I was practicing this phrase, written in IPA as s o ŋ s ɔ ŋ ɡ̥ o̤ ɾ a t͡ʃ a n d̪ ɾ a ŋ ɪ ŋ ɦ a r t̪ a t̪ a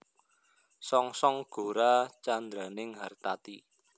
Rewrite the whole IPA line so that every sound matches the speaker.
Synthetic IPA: s ɔ ŋ s ɔ ŋ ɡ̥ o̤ ɾ a t͡ʃ a n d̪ ɾ a n ɪ ŋ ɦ a r t̪ a t̪ i

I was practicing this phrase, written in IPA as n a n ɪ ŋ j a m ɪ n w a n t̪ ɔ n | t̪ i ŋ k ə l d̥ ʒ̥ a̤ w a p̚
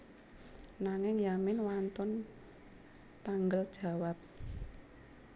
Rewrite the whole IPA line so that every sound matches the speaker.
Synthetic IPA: n a ŋ ɪ ŋ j a m ɪ n w a n t̪ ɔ n | t̪ a ŋ ɡ ə l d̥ ʒ̥ a̤ w a p̚

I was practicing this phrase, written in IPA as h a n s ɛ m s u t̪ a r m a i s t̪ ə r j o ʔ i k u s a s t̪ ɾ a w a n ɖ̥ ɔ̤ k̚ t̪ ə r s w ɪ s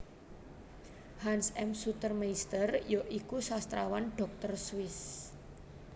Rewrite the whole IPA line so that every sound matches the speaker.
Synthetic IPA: h a n s ɛ m s u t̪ ə r m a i s t̪ ə r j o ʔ i k u s a s t̪ ɾ a w a n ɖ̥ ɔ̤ k̚ t̪ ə r s w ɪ s

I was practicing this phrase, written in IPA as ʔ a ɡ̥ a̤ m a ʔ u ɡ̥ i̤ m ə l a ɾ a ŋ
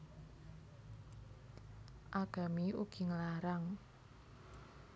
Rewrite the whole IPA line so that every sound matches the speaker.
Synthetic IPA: ʔ a ɡ̥ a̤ m i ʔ u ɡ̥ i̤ ŋ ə l a ɾ a ŋ

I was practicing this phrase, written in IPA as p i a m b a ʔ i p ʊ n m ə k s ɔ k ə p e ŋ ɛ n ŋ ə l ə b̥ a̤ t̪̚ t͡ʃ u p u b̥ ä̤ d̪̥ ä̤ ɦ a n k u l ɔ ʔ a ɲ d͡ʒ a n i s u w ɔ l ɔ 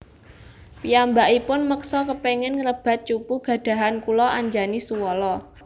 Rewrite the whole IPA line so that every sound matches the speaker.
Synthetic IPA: p i a m b a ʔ i p ʊ n m ə k s ɔ k ə p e ŋ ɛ n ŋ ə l ə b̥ a̤ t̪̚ t͡ʃ u p u ɡ̥ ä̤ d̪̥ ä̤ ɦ a n k u l ɔ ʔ a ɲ d͡ʒ a n i s u w ɔ l ɔ

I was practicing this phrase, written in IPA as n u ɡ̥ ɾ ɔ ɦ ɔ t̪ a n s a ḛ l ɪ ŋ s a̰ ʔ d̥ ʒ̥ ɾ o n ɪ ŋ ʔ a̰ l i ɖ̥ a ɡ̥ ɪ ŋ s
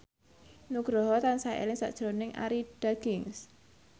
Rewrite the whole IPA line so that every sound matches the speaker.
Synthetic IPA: n u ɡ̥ ɾ ɔ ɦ ɔ t̪ a n s a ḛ l ɪ ŋ s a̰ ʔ d̥ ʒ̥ ɾ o n ɪ ŋ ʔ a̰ ɾ i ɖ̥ a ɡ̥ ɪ ŋ s

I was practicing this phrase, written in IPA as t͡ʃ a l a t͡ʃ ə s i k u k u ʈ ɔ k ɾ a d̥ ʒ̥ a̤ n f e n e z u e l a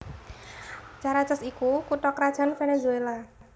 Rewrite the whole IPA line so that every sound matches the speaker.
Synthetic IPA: t͡ʃ a ɾ a t͡ʃ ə s i k u k u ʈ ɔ k ɾ a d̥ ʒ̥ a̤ n f e n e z u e l a

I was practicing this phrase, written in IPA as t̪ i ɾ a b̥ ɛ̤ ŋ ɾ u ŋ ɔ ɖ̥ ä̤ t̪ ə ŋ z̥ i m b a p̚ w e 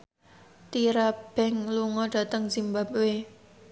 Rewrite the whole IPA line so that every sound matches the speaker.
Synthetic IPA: t̪ i ɾ a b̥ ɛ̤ ŋ l u ŋ ɔ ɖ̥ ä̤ t̪ ə ŋ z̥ i m b a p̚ w e

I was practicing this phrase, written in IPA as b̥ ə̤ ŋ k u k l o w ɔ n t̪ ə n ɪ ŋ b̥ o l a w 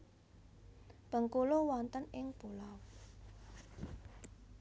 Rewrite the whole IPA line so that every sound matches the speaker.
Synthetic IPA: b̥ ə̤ ŋ k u l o w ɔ n t̪ ə n ɪ ŋ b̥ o l a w

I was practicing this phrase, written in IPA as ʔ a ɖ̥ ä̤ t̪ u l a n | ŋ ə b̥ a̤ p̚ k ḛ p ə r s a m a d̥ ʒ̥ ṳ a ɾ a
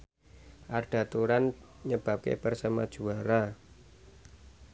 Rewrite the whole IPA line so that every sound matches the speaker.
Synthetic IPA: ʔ a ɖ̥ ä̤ t̪ u ɾ a n | ɲ ə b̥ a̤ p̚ k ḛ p ə r s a m a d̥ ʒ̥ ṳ a ɾ a

